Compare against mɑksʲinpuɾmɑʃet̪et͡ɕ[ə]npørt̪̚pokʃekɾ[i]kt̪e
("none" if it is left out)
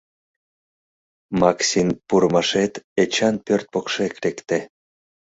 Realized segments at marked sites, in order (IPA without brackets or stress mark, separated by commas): ɑ, e